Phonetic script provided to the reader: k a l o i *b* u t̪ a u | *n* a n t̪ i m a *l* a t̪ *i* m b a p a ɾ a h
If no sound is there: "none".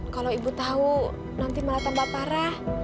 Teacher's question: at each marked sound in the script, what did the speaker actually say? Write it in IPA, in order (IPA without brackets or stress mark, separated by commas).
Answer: b, n, l, a